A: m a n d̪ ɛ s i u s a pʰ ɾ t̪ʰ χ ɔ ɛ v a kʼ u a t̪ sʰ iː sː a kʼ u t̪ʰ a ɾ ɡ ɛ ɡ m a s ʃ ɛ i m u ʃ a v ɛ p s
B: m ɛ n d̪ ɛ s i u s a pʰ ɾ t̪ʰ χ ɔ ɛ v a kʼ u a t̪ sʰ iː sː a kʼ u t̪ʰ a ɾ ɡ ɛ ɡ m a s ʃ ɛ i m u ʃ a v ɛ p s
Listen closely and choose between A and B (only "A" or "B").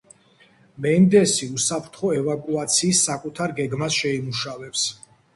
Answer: B